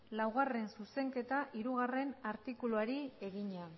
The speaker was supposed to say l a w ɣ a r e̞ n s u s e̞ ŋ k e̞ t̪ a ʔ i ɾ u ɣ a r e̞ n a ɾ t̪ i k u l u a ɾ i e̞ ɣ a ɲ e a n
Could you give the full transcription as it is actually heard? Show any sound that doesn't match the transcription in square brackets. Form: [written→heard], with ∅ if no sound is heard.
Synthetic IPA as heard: l a w ɣ a r e̞ n s u s e̞ ŋ k e̞ t̪ a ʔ i ɾ u ɣ a r e̞ n a ɾ t̪ i k u l u a ɾ i e̞ ɣ [a→i] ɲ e a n